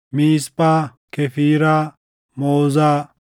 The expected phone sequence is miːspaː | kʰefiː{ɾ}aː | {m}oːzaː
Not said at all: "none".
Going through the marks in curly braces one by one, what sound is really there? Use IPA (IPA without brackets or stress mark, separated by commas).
ɾ, m